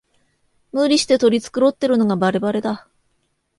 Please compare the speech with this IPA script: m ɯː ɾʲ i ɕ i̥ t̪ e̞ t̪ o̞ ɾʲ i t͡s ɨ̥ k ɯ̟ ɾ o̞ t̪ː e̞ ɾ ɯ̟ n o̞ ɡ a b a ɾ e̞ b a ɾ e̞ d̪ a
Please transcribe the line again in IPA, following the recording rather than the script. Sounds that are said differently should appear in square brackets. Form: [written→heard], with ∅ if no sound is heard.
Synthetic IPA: m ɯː ɾʲ i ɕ i̥ t̪ e̞ t̪ o̞ ɾʲ i t͡s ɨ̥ k ɯ̟ ɾ o̞ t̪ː e̞ ɾ ɯ̟ n o̞ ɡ a b a ɾ e̞ b a ɾ e̞ d̪ a